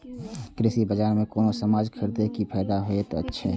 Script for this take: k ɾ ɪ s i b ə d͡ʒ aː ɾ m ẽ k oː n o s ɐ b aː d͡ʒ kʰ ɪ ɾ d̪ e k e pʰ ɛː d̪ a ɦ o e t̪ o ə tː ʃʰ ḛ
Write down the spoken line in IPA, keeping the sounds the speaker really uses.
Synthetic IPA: k ɾ ɪ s i b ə d͡ʒ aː ɾ m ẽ k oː n o s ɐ m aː d͡ʒ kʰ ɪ ɾ d̪ e k i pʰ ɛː d̪ a ɦ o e t̪ o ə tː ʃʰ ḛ